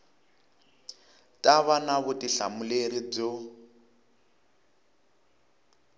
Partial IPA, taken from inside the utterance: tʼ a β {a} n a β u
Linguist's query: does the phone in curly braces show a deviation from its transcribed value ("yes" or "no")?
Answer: no